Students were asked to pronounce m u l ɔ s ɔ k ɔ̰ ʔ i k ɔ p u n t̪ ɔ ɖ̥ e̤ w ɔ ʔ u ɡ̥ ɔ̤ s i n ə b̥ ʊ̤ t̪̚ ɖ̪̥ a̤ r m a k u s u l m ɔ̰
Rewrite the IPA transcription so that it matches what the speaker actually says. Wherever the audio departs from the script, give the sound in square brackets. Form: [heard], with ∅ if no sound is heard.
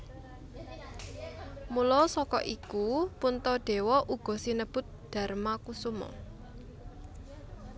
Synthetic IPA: m u l ɔ s ɔ k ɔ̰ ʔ i k [u] p u n t̪ ɔ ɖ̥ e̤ w ɔ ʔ u ɡ̥ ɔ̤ s i n ə b̥ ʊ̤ t̪̚ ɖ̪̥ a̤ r m a k u s u [∅] m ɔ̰